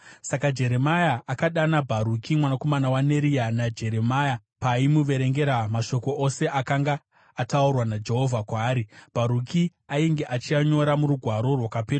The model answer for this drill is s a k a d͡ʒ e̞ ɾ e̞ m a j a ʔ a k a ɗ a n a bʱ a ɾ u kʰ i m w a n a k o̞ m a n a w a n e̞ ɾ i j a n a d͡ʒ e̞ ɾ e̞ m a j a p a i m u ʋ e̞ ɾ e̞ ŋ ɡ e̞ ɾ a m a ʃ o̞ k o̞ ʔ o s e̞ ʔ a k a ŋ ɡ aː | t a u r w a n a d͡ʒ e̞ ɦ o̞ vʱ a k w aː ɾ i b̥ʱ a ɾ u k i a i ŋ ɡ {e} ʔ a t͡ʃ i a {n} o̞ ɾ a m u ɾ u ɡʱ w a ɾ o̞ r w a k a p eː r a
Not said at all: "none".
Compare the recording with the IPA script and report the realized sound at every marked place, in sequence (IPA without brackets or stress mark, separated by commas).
e, ɲ